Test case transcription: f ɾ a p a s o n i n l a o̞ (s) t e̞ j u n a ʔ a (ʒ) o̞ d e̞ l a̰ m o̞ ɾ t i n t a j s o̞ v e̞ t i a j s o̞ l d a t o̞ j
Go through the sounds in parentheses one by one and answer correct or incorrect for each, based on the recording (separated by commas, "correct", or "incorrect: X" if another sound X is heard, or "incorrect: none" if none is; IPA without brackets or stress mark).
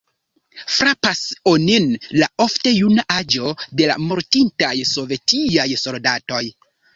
incorrect: f, incorrect: d͡ʒ